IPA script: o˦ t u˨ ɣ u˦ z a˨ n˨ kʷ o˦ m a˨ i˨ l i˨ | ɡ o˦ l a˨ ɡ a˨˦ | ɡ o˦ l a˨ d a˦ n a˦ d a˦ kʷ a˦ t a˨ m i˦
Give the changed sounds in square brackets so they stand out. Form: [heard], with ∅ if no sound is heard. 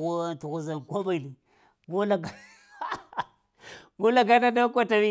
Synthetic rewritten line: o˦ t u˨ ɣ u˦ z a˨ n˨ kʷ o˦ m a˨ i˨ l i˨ | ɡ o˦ l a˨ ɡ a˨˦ | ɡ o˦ l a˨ [ɡ] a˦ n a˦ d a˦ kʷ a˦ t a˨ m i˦